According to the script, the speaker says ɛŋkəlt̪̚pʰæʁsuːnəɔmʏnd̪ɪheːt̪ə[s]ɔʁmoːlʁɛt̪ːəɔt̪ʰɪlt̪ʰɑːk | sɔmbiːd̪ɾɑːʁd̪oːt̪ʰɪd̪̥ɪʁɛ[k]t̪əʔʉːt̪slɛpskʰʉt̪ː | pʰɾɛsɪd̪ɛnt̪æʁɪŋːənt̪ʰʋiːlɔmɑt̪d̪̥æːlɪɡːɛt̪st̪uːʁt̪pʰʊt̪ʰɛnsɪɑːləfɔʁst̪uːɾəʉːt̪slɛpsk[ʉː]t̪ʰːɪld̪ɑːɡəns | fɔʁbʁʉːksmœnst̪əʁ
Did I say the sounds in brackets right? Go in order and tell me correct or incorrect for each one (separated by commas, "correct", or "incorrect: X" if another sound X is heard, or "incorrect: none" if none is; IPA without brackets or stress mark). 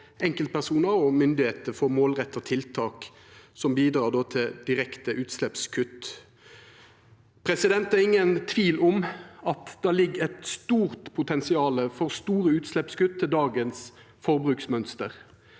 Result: incorrect: f, correct, incorrect: ʉ